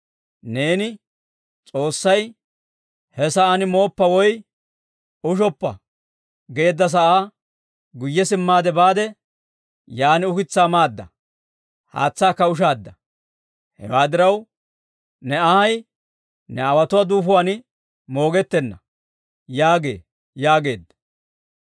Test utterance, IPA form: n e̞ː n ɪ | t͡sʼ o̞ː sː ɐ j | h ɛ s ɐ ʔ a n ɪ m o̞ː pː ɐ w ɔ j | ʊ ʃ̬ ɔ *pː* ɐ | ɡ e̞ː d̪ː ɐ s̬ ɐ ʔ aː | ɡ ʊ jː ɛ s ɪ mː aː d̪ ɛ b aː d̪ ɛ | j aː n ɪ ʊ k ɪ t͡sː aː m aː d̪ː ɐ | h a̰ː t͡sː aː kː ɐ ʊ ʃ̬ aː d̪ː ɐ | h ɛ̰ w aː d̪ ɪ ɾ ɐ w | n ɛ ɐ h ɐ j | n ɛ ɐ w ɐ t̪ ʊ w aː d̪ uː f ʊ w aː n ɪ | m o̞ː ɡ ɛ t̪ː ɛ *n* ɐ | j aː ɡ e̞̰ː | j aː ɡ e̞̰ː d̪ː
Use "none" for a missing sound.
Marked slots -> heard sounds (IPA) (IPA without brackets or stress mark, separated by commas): pː, nː